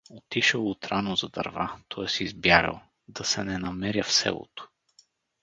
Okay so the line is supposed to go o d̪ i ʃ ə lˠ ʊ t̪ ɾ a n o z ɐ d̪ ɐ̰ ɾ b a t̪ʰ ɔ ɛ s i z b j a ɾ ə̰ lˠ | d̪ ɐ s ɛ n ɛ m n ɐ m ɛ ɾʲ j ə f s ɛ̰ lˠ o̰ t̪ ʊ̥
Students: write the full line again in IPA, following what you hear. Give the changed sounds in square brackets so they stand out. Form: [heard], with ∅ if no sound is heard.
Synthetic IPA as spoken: o [t̪] i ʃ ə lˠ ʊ t̪ ɾ a n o z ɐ d̪ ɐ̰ ɾ [v] a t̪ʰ ɔ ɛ s i z b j a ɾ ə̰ lˠ | d̪ ɐ s ɛ n ɛ [∅] n ɐ m ɛ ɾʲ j ə f s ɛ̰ lˠ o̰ t̪ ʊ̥